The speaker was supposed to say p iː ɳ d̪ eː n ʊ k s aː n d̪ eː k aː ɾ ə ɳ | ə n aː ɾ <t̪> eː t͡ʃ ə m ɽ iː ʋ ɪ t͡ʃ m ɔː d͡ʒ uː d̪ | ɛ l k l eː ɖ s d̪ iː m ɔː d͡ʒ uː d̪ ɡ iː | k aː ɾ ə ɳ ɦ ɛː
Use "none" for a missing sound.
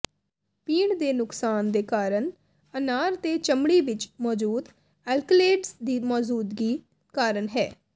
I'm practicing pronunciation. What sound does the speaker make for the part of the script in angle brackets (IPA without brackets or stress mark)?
t̪